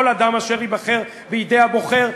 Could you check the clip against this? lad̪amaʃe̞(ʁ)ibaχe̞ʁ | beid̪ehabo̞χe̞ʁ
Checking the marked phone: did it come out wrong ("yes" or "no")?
no